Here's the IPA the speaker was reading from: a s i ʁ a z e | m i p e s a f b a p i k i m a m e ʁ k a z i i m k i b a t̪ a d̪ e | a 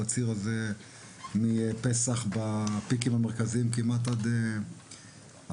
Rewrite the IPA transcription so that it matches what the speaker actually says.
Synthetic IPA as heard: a t͡s i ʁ a z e | m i p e s a χ b a p i k i m a m e ʁ k a z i i m k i m a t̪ a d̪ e | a